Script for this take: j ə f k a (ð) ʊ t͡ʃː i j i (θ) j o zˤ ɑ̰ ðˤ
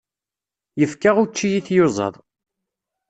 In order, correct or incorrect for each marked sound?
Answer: incorrect, correct

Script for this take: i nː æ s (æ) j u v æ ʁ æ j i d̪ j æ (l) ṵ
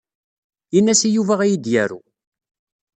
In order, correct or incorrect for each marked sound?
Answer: incorrect, incorrect

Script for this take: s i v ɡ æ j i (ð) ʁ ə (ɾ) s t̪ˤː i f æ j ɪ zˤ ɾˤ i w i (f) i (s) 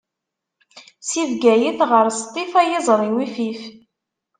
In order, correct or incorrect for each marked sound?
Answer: incorrect, correct, correct, incorrect

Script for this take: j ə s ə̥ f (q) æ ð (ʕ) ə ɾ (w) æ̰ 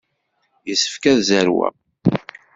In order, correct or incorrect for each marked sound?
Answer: incorrect, incorrect, correct

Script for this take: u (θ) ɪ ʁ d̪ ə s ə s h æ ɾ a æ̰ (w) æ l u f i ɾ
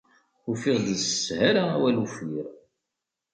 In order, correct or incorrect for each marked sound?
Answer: incorrect, correct

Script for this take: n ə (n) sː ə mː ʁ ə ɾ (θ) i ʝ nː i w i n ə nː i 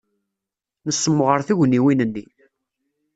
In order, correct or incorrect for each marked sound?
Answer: incorrect, correct

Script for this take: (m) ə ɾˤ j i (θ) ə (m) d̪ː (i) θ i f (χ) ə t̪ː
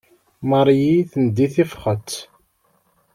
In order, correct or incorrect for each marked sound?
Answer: correct, correct, incorrect, correct, correct

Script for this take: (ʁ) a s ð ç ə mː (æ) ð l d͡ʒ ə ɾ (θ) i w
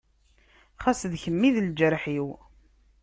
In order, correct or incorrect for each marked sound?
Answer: incorrect, incorrect, incorrect

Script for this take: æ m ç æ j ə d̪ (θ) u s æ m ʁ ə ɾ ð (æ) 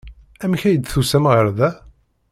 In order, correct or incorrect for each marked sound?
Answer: correct, correct

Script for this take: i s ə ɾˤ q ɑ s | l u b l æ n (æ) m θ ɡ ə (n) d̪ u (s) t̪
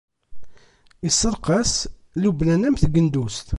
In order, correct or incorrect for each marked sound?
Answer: correct, correct, correct

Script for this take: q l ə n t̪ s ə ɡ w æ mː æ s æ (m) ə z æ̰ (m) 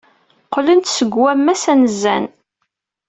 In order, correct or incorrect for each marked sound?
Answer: incorrect, incorrect

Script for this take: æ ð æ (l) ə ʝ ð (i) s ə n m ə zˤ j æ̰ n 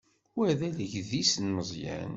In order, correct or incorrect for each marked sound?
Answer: correct, correct

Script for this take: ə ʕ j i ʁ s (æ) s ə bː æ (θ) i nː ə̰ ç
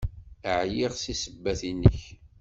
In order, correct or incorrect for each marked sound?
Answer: incorrect, correct

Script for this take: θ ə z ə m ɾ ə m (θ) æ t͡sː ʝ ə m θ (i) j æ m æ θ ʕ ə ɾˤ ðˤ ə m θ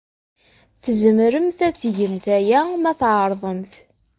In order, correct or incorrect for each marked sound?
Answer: correct, incorrect

